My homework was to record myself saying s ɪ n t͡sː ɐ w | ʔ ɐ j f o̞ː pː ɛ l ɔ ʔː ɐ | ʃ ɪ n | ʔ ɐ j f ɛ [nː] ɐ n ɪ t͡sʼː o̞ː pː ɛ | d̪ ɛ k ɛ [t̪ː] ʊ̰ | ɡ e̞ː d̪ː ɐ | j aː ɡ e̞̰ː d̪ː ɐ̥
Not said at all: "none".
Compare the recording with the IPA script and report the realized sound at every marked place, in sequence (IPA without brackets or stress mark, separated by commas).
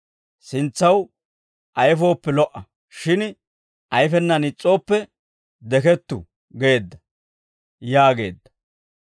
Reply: nː, t̪ː